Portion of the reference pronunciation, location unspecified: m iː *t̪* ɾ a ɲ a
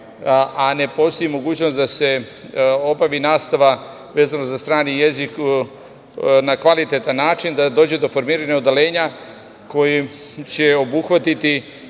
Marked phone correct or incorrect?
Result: incorrect